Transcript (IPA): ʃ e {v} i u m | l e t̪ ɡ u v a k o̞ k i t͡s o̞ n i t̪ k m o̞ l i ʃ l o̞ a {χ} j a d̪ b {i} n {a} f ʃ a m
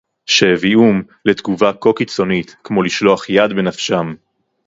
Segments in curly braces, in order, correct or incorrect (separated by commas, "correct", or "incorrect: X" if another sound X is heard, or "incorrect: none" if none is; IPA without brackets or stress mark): correct, correct, incorrect: e, correct